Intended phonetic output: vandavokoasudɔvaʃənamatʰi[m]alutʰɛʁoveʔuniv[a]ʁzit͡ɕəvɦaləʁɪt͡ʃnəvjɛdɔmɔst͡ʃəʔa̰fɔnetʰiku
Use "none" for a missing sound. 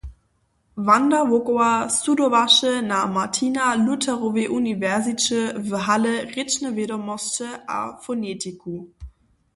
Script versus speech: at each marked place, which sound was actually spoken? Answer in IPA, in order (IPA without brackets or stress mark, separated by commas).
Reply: n, ɛ